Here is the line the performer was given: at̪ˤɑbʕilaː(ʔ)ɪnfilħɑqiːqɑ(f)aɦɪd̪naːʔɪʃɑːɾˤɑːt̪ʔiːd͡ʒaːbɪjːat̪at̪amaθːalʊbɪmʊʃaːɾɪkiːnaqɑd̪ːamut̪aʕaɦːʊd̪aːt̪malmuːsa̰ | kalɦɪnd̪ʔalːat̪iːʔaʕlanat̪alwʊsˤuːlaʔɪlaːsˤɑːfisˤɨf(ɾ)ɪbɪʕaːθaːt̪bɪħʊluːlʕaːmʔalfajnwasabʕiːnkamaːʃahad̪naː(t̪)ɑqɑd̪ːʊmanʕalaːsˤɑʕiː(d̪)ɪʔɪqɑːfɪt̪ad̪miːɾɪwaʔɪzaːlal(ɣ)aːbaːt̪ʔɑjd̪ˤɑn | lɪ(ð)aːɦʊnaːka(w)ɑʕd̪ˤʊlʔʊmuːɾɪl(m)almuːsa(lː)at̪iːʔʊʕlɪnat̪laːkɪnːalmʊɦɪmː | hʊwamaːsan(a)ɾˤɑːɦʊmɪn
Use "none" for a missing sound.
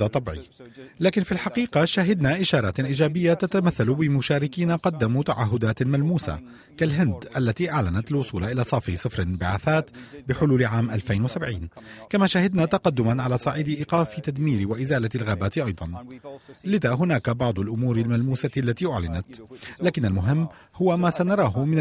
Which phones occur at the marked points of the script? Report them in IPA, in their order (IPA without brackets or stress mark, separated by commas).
k, ʃ, ɾ, t̪, d̪, ɣ, ð, b, m, lː, ɑ